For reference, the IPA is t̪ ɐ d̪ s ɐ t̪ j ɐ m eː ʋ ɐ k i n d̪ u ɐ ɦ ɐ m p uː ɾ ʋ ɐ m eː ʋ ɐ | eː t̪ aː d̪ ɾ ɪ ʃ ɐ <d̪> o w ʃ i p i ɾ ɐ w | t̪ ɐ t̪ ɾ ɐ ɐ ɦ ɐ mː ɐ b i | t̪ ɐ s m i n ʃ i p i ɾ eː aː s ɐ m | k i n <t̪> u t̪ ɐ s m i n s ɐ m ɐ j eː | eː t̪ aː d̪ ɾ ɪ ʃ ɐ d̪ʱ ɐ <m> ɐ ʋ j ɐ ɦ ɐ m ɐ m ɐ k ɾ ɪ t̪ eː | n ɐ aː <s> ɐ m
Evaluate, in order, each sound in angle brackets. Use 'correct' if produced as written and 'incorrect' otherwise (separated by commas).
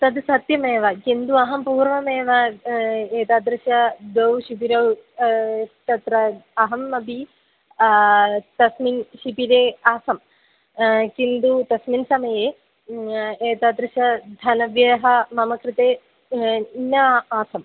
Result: correct, incorrect, incorrect, correct